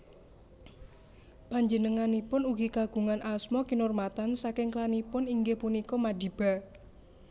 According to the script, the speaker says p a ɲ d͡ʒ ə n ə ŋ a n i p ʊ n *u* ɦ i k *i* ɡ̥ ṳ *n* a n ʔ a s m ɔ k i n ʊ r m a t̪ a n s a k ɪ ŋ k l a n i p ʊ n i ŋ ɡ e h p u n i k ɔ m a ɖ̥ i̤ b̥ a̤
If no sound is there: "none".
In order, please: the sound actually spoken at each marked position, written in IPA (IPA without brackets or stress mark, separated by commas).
u, a, ŋ